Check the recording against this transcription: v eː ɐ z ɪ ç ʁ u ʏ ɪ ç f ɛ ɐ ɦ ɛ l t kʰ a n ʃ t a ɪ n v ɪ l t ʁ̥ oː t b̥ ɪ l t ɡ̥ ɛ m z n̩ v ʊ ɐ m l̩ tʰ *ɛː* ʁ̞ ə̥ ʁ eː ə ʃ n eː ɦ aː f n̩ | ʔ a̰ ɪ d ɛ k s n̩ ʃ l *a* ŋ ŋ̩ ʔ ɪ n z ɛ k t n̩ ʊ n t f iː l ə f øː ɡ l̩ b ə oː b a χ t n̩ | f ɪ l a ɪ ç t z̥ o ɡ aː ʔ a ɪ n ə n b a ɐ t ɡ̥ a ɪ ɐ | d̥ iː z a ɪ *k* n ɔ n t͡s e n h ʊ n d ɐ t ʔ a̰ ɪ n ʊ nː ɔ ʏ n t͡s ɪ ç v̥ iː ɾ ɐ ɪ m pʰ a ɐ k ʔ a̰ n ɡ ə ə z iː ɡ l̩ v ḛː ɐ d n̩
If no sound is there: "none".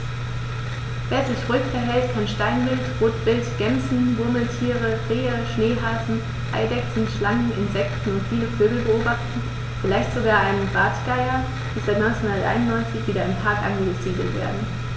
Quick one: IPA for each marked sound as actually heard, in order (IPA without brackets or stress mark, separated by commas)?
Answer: iː, a, t